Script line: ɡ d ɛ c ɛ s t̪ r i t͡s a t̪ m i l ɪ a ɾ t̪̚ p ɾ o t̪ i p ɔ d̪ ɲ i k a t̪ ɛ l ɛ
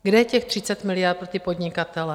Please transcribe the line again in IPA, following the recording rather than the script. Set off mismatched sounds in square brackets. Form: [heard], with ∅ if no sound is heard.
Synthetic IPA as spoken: ɡ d ɛ c ɛ [x] t̪ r i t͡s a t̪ m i l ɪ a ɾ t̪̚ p ɾ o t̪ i p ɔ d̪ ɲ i k a t̪ ɛ l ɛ

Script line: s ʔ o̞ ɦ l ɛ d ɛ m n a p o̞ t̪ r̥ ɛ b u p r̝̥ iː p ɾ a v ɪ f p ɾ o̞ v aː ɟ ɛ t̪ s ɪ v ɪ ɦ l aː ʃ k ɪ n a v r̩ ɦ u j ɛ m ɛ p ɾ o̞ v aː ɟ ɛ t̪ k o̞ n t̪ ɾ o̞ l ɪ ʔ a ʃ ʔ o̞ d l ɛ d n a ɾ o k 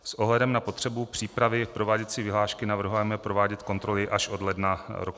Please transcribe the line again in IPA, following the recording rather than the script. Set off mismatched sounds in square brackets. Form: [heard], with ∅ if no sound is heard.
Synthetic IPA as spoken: s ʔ o̞ ɦ l ɛ d ɛ m n a p o̞ t̪ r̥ ɛ b u p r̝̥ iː p ɾ a v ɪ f p ɾ o̞ v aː ɟ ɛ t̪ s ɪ v ɪ ɦ l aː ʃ k ɪ n a v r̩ ɦ u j ɛ m ɛ p ɾ o̞ v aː ɟ ɛ t̪ k o̞ n t̪ ɾ o̞ l ɪ ʔ a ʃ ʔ o̞ d l ɛ d n a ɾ o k

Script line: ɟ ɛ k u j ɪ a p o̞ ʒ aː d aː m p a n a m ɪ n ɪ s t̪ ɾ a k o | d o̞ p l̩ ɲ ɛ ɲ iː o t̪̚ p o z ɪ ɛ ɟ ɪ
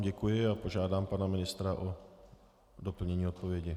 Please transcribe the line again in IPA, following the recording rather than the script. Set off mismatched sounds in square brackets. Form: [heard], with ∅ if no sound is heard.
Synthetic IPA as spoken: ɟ ɛ k u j ɪ a p o̞ ʒ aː d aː m p a n a m ɪ n ɪ s t̪ ɾ a [ʔ] o | d o̞ p l̩ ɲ ɛ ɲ iː o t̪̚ p o [v] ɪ ɛ ɟ ɪ

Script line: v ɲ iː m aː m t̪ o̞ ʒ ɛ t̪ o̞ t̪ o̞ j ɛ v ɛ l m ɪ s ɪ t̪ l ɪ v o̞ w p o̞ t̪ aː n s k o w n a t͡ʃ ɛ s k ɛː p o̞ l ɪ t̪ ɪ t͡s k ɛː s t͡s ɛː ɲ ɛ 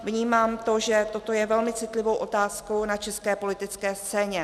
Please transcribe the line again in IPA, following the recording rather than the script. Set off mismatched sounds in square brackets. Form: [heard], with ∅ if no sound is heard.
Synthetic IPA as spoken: v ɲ iː m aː m t̪ o̞ ʒ ɛ t̪ o̞ t̪ o̞ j ɛ v ɛ l m ɪ [t͡s] ɪ t̪ l ɪ v o̞ w [ʔ] o̞ t̪ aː [∅] s k o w n a t͡ʃ ɛ s k ɛː p o̞ l ɪ t̪ ɪ t͡s k ɛː s t͡s ɛː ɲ ɛ

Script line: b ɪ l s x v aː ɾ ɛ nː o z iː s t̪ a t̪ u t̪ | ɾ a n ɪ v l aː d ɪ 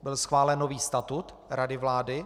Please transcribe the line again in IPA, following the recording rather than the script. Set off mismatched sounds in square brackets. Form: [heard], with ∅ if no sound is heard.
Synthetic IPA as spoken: b ɪ l s x v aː [l] ɛ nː o [v] iː s t̪ a t̪ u t̪ | ɾ a [d] ɪ v l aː d ɪ

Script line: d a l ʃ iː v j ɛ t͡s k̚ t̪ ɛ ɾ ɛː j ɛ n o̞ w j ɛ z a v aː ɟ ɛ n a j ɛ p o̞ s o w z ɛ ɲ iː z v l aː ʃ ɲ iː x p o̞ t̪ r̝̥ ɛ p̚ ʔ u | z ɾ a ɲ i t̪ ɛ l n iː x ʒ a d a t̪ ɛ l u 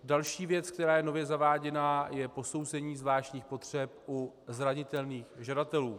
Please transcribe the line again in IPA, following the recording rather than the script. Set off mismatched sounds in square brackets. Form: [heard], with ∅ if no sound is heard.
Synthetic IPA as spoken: d a l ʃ iː v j ɛ t͡s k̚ t̪ ɛ ɾ [aː] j ɛ n o̞ [v] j ɛ z a v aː ɟ ɛ n a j ɛ p o̞ s o w z ɛ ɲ iː z v l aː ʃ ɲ iː x p o̞ t̪ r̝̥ ɛ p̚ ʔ u | z ɾ a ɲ [ɪ] t̪ ɛ l n iː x ʒ a d a t̪ ɛ l [uː]

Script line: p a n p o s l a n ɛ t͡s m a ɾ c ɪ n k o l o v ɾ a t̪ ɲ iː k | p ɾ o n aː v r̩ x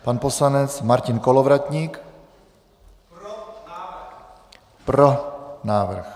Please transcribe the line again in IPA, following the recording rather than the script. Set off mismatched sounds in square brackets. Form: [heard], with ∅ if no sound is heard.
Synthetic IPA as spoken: p a n p o s l a n ɛ t͡s m a ɾ c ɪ n k o l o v ɾ a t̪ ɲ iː k | p ɾ o n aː v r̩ x

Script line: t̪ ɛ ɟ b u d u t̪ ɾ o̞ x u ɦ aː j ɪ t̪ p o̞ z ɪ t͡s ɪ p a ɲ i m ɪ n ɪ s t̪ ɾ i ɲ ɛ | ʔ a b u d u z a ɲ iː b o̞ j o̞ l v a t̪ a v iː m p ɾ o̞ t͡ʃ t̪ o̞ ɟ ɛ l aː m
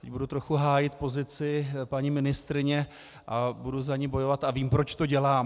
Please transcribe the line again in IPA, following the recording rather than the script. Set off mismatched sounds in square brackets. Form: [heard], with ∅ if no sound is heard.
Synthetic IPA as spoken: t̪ ɛ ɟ b u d u t̪ ɾ o̞ x u ɦ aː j ɪ t̪ p o̞ z ɪ t͡s ɪ p a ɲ i m ɪ n ɪ s t̪ ɾ [ɪ] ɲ ɛ | ʔ a b u d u z a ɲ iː b o̞ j o̞ [∅] v a t̪ a v iː m p ɾ o̞ t͡ʃ t̪ o̞ ɟ ɛ l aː m

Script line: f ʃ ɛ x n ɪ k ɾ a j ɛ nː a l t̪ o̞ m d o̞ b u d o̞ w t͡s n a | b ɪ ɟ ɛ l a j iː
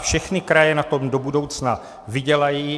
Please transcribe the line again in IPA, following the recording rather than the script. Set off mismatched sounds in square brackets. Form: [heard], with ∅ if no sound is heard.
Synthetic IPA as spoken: f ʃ ɛ x n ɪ k ɾ a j ɛ [n] a [∅] t̪ o̞ m d o̞ b u d o̞ w t͡s n a | [v] ɪ ɟ ɛ l a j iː

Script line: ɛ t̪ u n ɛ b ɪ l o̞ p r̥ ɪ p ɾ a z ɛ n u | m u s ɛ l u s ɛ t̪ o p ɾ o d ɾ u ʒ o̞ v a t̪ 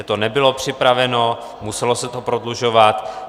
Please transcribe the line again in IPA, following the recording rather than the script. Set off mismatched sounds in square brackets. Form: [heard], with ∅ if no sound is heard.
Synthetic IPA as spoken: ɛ t̪ [o] n ɛ b ɪ l o̞ p r̥ ɪ p ɾ a [v] ɛ n [o] | m u s ɛ l [o] s ɛ t̪ o p ɾ o d [l] u ʒ o̞ v a t̪

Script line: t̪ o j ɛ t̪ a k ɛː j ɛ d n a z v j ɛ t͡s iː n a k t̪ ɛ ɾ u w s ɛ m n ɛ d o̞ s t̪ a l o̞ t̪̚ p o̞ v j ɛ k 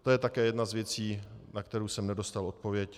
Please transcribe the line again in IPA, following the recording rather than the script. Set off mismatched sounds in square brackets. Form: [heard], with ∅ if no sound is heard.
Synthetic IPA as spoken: t̪ o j ɛ t̪ a k ɛː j ɛ d n a z v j ɛ t͡s iː n a k t̪ ɛ ɾ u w s ɛ m n ɛ d o̞ s t̪ a l o̞ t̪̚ p o̞ v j ɛ [c]

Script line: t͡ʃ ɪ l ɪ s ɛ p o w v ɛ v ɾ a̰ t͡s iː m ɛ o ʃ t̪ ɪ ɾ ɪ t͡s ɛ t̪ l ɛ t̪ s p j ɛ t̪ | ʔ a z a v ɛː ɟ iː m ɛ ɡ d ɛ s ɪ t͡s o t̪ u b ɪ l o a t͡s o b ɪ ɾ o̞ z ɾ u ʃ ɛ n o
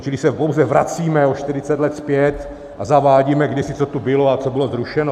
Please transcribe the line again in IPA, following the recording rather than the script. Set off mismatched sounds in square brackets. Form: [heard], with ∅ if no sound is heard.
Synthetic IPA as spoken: t͡ʃ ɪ l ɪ s ɛ p o w [z] ɛ v ɾ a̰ t͡s iː m ɛ o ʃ t̪ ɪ ɾ ɪ t͡s ɛ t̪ l ɛ t̪ s p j ɛ t̪ | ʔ a z a v [aː] ɟ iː m ɛ ɡ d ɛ s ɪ t͡s o t̪ u b ɪ l o a t͡s o b ɪ [l] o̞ z ɾ u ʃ ɛ n o

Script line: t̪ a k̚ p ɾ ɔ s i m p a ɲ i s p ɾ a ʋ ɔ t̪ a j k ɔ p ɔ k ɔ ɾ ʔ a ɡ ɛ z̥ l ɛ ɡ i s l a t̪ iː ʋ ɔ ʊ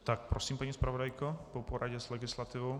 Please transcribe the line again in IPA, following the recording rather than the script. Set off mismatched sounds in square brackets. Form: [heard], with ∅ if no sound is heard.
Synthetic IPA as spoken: t̪ a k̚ p ɾ ɔ s [iː] m p a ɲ i s p ɾ a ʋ ɔ [d̪] a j k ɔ p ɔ [p] ɔ ɾ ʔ a [ɟ] ɛ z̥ l ɛ ɡ i s l a t̪ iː ʋ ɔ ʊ

